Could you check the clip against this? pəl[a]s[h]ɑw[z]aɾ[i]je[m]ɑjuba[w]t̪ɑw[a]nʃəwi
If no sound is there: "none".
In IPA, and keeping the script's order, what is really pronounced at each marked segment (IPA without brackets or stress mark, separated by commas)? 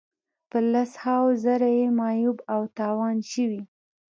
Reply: a, h, z, a, m, w, ɑ